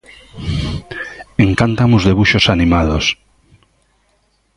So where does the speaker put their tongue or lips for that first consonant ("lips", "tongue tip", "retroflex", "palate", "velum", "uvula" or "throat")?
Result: velum